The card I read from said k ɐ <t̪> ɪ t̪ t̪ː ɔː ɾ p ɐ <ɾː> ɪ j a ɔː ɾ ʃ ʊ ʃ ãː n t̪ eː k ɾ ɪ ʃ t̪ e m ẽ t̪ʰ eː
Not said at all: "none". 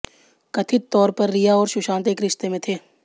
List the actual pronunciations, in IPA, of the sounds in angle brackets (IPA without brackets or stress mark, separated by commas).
t̪ʰ, ɾː